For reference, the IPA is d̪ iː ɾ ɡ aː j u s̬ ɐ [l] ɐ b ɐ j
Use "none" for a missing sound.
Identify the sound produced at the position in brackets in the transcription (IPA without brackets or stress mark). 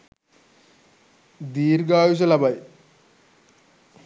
l